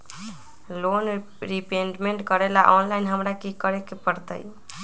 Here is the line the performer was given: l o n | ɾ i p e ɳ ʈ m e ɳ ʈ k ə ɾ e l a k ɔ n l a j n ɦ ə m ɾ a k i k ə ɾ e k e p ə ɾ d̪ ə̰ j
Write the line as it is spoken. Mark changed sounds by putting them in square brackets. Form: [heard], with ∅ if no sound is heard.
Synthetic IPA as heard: l o n | ɾ i p e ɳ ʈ m e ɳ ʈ k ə ɾ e l a [ʔ] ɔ n l a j n ɦ ə m ɾ a k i k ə ɾ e k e p ə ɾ [t̪] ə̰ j